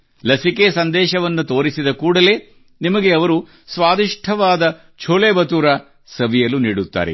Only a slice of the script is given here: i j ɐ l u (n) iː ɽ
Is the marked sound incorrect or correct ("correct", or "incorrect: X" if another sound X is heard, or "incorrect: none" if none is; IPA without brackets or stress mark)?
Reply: correct